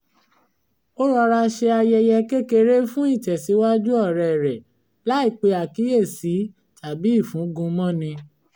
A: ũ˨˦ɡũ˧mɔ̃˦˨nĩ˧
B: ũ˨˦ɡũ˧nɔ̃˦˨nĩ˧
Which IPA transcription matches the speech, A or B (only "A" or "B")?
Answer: A